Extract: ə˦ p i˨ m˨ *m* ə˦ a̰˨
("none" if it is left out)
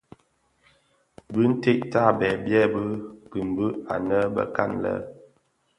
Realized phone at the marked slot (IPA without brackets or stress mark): b